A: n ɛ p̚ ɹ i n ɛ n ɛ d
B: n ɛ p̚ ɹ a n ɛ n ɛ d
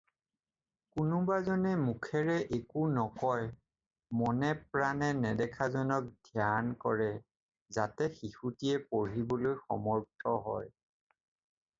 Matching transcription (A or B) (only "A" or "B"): B